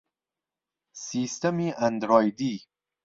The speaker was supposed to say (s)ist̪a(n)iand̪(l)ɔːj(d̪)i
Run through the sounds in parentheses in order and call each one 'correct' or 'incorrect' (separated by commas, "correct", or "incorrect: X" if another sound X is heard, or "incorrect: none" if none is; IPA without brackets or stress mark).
correct, incorrect: m, incorrect: ɾ, correct